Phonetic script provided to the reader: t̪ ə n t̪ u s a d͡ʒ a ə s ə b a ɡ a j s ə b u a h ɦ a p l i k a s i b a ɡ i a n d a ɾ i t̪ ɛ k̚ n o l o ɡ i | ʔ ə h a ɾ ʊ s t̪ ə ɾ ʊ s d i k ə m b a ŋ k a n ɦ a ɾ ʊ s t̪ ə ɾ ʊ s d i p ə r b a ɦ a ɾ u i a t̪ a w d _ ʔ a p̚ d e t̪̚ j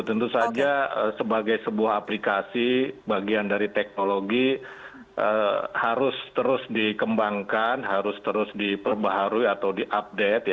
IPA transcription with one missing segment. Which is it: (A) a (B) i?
B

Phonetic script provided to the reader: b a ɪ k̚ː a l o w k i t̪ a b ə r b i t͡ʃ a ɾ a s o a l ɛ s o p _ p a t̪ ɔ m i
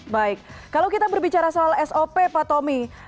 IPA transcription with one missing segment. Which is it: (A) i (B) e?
B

